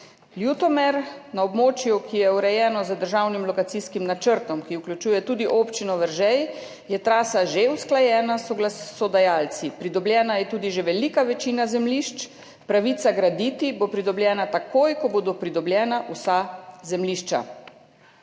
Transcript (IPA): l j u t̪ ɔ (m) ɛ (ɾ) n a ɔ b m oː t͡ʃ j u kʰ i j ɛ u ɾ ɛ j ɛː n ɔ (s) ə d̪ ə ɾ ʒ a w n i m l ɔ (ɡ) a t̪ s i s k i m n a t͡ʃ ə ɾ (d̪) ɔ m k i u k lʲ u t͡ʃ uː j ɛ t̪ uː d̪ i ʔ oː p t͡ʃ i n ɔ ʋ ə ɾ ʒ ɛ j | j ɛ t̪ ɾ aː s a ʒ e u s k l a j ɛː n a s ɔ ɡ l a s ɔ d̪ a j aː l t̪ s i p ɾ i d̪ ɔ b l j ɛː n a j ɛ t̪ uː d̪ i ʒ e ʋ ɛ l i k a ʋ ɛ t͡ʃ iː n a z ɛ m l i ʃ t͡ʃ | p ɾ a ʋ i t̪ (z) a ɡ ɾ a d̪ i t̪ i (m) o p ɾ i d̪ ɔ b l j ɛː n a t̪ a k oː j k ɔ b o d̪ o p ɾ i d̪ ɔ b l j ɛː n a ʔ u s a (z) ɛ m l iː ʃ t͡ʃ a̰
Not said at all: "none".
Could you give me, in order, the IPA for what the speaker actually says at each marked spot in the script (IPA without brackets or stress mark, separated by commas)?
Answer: m, ɾ, z, k, t̪, s, b, z